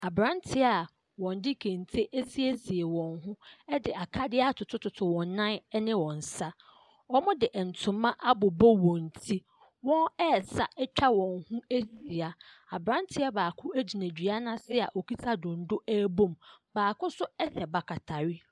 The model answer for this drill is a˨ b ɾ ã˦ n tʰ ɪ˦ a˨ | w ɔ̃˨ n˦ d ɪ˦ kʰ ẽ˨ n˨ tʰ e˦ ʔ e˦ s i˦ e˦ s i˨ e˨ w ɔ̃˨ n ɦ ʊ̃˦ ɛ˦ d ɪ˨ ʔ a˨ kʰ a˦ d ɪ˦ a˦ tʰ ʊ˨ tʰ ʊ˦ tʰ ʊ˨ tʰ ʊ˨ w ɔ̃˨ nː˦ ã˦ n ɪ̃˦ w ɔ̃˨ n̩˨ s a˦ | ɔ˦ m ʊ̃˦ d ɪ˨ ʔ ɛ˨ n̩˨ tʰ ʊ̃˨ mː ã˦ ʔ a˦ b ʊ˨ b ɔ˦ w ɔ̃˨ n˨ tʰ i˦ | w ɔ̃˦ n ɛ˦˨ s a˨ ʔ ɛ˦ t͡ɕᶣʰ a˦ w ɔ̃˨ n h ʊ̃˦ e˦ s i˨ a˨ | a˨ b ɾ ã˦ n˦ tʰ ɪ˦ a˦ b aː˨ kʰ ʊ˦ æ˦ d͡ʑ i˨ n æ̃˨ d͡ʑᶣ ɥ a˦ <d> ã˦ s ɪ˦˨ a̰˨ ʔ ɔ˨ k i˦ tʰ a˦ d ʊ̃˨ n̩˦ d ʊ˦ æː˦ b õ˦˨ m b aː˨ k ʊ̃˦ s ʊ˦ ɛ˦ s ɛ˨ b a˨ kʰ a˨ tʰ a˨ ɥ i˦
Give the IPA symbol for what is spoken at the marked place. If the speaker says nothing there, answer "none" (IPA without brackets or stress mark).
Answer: n